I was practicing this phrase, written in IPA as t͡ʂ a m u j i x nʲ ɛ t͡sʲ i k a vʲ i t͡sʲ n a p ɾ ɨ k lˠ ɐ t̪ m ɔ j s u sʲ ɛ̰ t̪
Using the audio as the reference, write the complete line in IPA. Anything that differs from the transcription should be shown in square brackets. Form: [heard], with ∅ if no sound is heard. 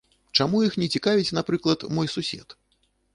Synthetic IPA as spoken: t͡ʂ a m u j i x nʲ ɛ t͡sʲ i k a vʲ i t͡sʲ n a p ɾ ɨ k lˠ ɐ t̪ m ɔ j s u sʲ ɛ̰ t̪